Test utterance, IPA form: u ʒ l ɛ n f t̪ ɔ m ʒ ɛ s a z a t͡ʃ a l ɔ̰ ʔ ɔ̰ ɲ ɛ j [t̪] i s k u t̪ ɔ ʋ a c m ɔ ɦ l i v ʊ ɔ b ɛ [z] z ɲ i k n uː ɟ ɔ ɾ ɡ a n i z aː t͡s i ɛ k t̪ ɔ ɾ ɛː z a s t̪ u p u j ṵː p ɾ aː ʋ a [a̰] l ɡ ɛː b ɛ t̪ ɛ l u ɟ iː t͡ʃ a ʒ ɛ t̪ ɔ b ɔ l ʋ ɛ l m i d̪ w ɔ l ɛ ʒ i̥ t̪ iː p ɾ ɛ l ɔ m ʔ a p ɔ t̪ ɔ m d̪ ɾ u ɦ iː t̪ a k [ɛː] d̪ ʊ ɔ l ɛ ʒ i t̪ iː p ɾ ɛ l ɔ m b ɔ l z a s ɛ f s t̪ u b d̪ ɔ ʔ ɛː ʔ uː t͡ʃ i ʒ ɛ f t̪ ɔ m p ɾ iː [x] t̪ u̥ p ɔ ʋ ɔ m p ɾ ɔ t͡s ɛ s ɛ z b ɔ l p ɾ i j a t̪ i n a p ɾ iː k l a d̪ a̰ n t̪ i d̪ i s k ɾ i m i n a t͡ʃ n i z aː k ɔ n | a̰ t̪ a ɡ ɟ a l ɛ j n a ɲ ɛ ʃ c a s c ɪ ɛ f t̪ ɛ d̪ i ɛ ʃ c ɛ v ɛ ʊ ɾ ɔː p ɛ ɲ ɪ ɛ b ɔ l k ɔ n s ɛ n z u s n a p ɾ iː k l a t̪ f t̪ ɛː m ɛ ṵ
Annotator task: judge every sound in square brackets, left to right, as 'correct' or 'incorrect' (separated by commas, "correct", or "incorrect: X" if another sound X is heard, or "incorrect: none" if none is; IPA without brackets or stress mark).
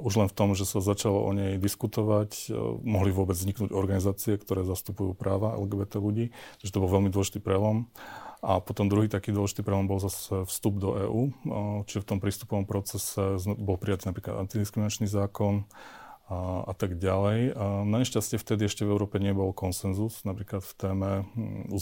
incorrect: d̪, incorrect: d͡z, incorrect: ɛ̰, incorrect: iː, incorrect: s